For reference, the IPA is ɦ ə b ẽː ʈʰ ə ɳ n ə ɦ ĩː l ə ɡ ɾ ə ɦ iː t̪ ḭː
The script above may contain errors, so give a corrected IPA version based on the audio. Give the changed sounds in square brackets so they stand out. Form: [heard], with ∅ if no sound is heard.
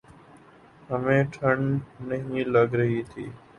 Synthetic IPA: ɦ ə [m] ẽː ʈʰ ə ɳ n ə ɦ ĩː l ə ɡ ɾ ə ɦ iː [t̪ʰ] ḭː